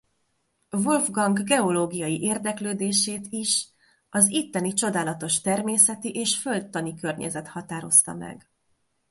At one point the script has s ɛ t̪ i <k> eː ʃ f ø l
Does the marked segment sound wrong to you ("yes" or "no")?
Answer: yes